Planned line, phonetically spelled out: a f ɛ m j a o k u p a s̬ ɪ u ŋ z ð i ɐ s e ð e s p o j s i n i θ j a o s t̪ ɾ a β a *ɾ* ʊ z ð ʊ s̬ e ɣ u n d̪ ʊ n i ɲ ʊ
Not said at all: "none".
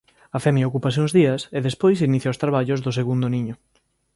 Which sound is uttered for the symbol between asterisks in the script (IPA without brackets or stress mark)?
ʎ